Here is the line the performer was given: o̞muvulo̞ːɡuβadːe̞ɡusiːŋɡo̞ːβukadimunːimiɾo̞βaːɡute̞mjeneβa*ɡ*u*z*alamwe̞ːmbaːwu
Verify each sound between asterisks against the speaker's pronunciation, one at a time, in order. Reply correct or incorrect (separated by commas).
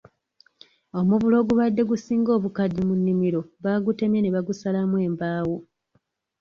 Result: correct, incorrect